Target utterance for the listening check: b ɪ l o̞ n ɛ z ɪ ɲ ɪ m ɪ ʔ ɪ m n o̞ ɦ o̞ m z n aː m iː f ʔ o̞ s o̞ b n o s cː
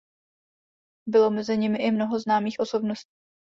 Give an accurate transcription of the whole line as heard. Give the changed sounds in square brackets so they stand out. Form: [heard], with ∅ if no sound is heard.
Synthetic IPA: b ɪ l o̞ [m] ɛ z ɪ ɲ ɪ m ɪ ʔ ɪ m n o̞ ɦ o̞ [∅] z n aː m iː [x] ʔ o̞ s o̞ b n o s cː